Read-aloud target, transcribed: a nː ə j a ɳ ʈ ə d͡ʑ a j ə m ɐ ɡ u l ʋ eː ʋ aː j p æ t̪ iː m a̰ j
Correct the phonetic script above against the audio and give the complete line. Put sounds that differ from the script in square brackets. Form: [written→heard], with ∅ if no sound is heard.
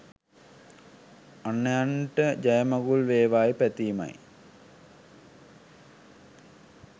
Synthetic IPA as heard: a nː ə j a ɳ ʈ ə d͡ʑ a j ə m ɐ ɡ u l ʋ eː ʋ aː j p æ t̪ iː m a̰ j